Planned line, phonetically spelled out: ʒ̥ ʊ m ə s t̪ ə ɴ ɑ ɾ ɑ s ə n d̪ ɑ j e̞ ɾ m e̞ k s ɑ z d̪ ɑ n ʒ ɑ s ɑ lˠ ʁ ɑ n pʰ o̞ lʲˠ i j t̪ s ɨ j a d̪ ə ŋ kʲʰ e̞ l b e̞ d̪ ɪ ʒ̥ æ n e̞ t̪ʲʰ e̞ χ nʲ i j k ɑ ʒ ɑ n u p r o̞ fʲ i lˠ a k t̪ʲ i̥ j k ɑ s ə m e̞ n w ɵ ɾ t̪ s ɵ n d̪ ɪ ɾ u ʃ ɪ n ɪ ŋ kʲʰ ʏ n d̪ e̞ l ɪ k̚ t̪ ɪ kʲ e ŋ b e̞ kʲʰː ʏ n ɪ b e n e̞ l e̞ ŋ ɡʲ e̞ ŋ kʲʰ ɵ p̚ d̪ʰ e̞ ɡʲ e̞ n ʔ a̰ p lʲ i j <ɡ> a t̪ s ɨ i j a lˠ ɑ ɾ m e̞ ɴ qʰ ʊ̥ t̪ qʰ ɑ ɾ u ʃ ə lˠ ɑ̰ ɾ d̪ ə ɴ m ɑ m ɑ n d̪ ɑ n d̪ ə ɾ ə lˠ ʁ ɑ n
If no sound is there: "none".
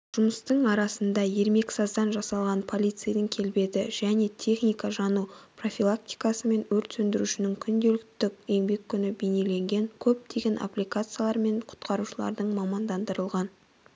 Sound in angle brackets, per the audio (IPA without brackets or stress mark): k